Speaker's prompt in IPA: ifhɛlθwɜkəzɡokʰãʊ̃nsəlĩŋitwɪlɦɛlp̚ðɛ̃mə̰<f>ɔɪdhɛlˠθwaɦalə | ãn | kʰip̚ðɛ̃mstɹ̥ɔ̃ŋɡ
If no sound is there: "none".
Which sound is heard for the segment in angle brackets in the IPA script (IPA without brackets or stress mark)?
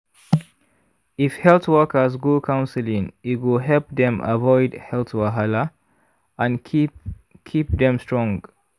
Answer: v